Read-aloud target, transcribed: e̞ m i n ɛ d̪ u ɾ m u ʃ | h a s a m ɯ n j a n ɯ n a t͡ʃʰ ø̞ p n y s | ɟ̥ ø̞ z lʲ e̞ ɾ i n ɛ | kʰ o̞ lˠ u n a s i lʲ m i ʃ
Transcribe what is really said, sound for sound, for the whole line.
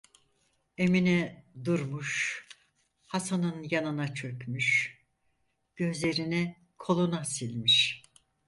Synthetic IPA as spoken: e̞ m i n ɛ d̪ u ɾ m u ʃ | h a s a n ɯ n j a n ɯ n a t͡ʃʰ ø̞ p m y ʃ | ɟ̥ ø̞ z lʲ e̞ ɾ i n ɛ | kʰ o̞ lˠ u n a s i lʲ m i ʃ